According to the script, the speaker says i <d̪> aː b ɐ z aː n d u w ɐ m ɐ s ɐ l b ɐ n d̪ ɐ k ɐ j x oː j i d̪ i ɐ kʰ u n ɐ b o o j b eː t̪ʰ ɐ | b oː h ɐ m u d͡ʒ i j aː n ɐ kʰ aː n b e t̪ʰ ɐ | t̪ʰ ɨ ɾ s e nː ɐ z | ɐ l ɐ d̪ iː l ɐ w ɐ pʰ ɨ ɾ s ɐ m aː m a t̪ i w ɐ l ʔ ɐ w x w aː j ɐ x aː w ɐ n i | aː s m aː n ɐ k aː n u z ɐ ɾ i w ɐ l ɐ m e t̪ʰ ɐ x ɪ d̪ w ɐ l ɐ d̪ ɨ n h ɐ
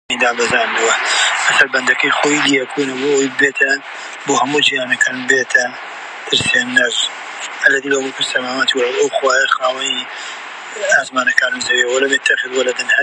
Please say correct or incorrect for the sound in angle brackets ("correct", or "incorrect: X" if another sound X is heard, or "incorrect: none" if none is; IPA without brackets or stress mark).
correct